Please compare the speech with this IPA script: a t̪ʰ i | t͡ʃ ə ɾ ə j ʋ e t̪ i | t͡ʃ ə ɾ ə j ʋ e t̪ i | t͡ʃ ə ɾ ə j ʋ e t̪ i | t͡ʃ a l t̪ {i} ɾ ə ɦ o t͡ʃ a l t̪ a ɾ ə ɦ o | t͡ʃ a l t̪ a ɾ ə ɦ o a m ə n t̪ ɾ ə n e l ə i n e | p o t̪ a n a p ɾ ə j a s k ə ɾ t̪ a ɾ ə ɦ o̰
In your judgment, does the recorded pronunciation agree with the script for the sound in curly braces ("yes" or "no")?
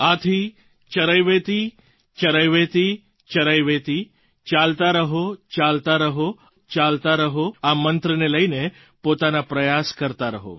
no